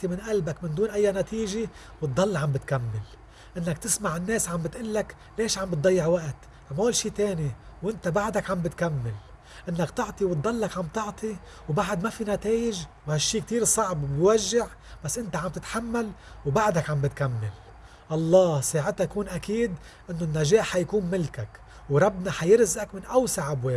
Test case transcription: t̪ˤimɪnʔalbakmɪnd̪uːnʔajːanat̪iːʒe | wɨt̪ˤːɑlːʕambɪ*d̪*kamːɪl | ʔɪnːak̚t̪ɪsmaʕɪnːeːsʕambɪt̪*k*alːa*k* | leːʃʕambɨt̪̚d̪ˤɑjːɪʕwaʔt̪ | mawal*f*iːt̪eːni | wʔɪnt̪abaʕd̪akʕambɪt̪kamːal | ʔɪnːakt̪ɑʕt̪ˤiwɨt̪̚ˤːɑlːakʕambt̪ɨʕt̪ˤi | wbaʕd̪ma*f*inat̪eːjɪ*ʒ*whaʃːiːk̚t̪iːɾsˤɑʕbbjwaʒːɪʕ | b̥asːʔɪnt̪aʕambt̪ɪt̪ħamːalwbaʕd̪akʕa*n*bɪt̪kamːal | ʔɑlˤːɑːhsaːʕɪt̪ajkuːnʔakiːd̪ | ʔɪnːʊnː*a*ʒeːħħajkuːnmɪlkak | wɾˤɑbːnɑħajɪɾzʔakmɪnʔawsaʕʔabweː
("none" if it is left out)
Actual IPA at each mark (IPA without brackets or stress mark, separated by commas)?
t̪, ʔ, k, ʃ, f, ʒ, m, a